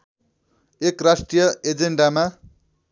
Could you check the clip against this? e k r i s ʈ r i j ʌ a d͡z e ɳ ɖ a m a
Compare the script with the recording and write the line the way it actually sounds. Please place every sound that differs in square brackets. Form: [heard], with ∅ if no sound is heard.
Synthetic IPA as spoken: e k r [a] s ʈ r i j ʌ [e] d͡z e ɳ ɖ a m a